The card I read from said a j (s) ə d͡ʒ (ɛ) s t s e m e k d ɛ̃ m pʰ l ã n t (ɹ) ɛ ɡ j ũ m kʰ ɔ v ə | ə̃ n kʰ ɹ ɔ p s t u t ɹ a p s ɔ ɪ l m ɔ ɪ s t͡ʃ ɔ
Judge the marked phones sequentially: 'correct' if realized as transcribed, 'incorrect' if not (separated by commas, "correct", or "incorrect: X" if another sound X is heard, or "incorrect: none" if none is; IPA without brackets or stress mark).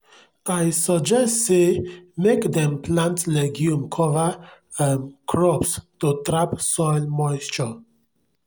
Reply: correct, correct, incorrect: l